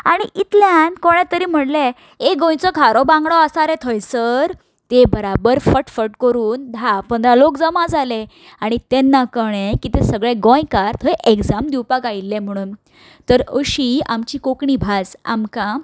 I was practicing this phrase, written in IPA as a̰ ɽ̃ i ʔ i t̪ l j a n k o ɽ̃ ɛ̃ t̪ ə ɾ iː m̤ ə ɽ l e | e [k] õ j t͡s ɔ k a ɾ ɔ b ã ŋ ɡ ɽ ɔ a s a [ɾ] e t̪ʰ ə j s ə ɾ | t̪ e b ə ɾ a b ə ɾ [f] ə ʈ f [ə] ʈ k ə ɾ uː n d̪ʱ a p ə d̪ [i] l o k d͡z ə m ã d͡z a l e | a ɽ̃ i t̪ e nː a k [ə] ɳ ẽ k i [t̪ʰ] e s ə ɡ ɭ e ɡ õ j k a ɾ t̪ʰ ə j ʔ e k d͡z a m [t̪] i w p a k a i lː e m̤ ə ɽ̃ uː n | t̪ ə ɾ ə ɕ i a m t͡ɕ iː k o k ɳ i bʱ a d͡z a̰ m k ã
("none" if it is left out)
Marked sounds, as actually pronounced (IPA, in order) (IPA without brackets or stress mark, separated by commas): ɡ, ɾ, f, ə, a, ə, t̪, d̪